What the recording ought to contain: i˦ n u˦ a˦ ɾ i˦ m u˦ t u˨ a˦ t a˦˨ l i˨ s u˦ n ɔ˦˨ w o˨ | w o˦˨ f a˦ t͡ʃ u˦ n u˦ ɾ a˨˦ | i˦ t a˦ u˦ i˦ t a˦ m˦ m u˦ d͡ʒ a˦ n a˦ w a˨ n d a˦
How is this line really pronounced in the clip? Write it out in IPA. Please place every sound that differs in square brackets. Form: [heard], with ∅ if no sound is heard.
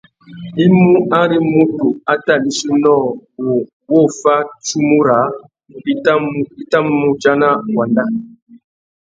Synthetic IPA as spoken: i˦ [m] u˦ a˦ ɾ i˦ m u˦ t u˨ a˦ t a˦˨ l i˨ s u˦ n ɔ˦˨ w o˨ | w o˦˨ f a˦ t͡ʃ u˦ [m] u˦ ɾ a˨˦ | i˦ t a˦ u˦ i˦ t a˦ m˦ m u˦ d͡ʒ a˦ n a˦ w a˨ n d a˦